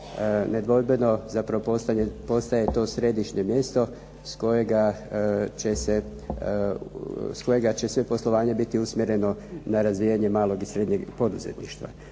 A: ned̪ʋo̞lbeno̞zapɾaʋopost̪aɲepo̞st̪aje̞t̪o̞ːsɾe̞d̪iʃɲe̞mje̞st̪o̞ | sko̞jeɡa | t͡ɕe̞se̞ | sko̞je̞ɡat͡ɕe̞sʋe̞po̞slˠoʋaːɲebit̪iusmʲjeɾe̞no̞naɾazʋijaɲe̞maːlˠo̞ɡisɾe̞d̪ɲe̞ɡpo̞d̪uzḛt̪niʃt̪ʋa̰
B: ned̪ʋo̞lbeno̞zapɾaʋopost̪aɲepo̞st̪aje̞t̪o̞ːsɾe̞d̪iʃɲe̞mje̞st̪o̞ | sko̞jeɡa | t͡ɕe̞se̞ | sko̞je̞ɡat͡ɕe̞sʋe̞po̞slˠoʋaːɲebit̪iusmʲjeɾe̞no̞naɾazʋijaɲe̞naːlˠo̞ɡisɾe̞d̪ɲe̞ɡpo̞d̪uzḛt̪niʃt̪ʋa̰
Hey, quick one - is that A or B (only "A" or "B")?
A